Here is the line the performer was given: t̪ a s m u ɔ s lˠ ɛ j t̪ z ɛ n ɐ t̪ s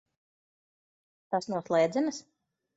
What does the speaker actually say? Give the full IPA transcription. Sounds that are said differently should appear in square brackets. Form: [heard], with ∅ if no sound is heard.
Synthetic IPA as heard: t̪ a s [n] u ɔ s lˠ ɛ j [d̪] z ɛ n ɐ [∅] s

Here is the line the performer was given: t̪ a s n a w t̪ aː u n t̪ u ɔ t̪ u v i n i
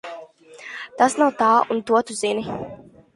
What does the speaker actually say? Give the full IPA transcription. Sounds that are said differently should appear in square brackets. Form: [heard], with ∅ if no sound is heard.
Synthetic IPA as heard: t̪ a s n a w t̪ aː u n t̪ u ɔ t̪ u [z] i n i

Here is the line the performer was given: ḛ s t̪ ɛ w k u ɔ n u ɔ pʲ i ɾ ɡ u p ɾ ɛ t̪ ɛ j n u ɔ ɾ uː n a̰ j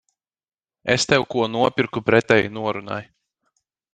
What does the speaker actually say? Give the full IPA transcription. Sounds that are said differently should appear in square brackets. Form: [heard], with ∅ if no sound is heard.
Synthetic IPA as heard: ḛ s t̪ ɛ w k u ɔ n u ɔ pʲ i ɾ [k] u p ɾ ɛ t̪ ɛ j n u ɔ ɾ [u] n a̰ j

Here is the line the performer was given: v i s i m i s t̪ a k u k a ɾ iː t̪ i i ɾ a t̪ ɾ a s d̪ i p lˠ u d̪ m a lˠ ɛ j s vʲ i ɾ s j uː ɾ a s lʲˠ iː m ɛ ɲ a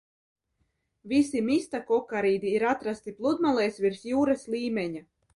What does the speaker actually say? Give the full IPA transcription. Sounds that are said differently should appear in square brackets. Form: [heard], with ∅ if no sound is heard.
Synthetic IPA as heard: v i s i m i s t̪ a k [ɔ] k a ɾ iː [d̪] i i ɾ a t̪ ɾ a s [t̪] i p lˠ u d̪ m a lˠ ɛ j s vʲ i ɾ s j uː ɾ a s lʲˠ iː m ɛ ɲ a

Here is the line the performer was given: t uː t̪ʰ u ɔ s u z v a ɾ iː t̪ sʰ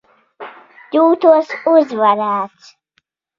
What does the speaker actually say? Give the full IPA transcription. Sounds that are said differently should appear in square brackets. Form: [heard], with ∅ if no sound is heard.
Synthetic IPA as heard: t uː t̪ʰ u ɔ s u z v a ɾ [aː] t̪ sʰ

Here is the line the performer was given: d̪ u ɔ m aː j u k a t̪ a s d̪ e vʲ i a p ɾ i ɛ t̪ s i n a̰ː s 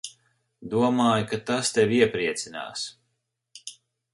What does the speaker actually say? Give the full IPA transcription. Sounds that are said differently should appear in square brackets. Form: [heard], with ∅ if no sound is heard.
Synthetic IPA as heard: d̪ u ɔ m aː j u k a t̪ a s [t̪] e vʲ i [ɛ] p ɾ i ɛ t̪ s i n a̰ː s

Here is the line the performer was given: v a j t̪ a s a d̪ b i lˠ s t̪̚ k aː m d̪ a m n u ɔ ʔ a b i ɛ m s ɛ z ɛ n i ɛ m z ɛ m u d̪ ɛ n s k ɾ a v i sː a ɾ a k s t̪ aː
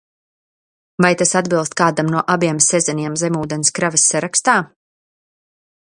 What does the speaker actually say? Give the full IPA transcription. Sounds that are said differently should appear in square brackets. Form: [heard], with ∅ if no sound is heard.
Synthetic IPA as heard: v a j t̪ a s a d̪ b i lˠ s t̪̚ k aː [∅] d̪ a m n u ɔ ʔ a b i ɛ m s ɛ z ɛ n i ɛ m z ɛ m [uː] d̪ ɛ n s k ɾ a v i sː a ɾ a k s t̪ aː

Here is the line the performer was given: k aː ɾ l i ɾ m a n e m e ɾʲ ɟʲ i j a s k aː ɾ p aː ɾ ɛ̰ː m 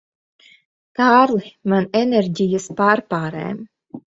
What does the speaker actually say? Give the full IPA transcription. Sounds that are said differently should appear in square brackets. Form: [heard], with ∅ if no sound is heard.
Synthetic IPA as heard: k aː ɾ l i [∅] m a n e [n] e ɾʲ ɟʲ i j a s [p] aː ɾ p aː ɾ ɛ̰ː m

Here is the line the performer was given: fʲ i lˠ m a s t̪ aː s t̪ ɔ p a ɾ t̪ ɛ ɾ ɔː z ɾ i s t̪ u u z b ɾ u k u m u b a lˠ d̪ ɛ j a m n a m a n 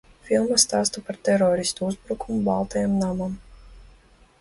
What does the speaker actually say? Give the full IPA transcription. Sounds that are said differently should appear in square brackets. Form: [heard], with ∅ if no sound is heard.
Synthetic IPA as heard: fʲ i lˠ m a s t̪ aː s t̪ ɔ p a ɾ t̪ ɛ ɾ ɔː [∅] ɾ i s t̪ u u z b ɾ u k u m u b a lˠ [t̪] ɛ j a m n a m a [m]

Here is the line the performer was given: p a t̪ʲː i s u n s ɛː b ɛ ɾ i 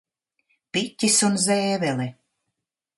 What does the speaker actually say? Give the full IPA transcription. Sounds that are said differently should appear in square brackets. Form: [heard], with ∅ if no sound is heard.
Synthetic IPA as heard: p [i] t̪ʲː i s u n [z] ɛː [v] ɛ [l] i

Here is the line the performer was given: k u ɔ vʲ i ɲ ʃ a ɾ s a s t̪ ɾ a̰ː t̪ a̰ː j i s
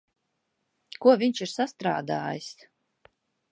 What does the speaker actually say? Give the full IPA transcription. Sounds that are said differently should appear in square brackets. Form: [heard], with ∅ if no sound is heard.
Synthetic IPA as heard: k u ɔ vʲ i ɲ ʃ [i] ɾ s a s t̪ ɾ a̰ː [d̪] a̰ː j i s

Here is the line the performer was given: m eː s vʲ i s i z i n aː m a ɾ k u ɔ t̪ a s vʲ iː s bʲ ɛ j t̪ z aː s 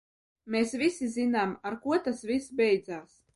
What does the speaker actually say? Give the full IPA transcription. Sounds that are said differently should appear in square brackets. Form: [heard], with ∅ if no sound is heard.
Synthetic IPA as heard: m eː s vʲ i s i z i n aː m a ɾ k u ɔ t̪ a s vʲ [i] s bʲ ɛ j [d̪] z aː s

